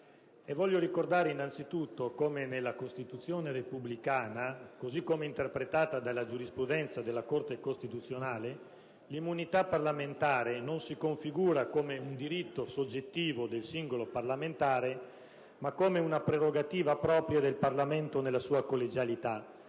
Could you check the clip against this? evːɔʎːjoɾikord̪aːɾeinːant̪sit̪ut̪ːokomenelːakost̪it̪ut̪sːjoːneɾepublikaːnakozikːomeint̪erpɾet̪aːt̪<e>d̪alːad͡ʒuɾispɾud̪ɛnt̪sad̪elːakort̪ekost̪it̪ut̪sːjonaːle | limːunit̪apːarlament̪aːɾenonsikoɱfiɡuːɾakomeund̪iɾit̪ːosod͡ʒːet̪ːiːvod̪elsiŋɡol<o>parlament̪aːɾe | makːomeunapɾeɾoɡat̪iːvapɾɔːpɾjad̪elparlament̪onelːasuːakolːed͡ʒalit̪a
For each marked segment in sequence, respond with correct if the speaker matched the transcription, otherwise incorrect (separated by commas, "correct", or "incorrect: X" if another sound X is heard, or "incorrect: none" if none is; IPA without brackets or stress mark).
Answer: incorrect: a, correct